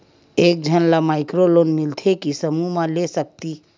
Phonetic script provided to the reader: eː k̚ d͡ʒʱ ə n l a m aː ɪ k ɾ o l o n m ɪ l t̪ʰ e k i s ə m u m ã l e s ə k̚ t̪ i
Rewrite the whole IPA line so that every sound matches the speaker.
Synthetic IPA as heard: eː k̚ d͡ʒʱ ə n l a m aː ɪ k ɾ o l o n m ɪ l t̪ʰ e k i s ə m u m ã l e s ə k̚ t̪ i